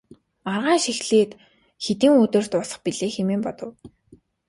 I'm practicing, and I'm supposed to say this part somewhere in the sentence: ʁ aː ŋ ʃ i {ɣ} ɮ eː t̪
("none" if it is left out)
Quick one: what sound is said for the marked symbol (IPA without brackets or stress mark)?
x